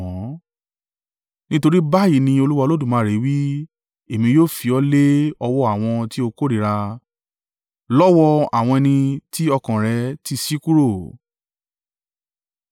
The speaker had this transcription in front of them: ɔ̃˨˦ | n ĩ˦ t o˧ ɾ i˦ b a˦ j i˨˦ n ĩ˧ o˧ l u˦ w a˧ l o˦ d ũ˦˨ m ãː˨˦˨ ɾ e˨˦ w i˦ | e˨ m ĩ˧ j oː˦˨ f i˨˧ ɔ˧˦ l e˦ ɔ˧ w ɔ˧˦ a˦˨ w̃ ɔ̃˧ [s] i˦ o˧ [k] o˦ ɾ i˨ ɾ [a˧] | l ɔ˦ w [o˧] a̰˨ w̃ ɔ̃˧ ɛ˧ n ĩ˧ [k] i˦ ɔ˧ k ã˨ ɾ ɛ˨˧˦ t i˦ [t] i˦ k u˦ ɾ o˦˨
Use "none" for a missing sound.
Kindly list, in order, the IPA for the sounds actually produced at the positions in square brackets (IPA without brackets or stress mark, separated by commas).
t, k, a˧, ɔ˧, t, s